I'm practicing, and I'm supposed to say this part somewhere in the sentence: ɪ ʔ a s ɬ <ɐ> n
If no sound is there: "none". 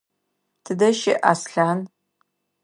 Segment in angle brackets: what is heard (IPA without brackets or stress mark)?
a